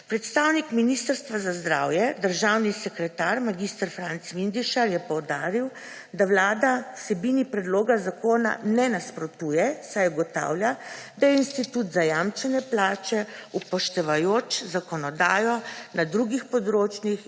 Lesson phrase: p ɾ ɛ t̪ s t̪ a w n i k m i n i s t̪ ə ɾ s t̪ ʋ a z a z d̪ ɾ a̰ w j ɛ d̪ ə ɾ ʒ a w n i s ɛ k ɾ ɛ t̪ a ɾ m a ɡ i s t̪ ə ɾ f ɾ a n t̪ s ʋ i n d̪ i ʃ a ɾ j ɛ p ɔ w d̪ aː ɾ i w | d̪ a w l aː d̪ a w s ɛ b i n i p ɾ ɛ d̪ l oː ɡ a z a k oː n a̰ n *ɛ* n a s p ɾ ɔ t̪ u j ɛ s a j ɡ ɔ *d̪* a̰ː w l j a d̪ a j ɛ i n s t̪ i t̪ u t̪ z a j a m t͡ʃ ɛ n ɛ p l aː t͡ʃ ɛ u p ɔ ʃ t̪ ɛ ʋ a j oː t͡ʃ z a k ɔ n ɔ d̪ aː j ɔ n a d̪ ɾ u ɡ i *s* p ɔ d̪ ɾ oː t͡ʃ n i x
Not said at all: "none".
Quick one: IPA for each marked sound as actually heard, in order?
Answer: ɛ, t̪, x

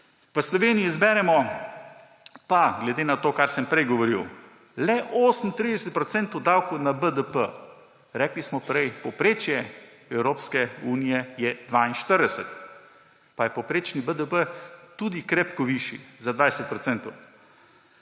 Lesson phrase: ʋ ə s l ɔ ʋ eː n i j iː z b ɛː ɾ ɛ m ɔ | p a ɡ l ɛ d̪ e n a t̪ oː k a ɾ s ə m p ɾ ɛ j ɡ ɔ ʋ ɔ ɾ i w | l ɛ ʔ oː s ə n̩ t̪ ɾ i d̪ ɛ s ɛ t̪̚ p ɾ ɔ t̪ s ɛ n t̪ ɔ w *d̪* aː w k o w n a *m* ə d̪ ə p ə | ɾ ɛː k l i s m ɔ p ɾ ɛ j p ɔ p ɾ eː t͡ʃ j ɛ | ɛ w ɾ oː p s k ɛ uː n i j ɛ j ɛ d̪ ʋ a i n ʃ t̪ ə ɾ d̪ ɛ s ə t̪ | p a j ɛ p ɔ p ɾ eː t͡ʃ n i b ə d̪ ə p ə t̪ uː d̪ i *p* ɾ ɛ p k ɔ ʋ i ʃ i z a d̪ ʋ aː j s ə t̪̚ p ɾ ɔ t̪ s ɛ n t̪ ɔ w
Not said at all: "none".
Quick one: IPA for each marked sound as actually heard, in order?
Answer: d̪, b, k

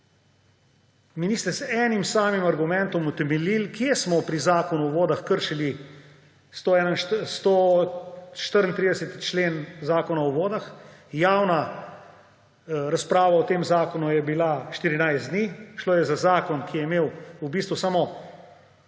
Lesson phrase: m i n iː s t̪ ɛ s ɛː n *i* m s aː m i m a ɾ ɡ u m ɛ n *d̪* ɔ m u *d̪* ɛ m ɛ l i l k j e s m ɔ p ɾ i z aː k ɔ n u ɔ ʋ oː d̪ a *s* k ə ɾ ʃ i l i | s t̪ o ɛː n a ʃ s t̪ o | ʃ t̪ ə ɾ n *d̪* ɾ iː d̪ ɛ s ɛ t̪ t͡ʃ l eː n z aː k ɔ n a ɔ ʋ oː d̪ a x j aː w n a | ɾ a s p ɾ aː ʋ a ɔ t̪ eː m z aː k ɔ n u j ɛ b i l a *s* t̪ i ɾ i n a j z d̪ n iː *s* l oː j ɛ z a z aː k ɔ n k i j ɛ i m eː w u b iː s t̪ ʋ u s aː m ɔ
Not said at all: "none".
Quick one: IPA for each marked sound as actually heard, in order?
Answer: i, t̪, t̪, x, t̪, ʃ, ʃ

